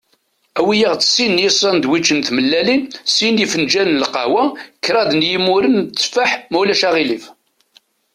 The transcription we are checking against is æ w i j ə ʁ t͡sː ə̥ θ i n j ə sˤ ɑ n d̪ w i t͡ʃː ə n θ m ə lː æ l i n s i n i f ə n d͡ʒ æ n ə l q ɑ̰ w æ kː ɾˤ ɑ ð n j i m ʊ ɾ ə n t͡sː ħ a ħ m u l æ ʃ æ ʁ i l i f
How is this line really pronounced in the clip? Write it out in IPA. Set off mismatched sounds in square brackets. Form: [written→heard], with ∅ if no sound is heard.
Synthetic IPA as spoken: æ w i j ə ʁ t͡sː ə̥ [θ→s] i n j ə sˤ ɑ n d̪ w i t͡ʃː ə n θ m ə lː æ l i n s i n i f ə n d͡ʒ æ n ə l q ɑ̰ w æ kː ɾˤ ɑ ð n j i m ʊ ɾ ə n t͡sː [ħ→f] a ħ m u l æ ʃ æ ʁ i l i f